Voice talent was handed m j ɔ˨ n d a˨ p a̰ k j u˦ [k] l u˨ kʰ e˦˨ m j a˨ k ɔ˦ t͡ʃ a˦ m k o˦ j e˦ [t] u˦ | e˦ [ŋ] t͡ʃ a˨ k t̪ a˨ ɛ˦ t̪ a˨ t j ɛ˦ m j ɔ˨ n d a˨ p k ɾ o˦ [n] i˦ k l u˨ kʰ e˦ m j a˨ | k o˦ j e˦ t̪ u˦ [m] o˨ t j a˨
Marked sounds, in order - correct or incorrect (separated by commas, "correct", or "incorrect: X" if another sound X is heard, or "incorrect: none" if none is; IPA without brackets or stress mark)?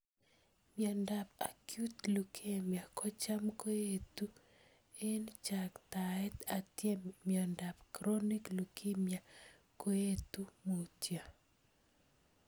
incorrect: t, correct, incorrect: n, correct, correct